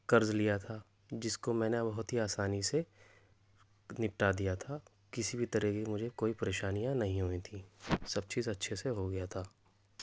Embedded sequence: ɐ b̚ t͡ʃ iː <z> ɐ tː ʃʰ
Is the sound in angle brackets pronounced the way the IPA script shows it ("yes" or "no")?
yes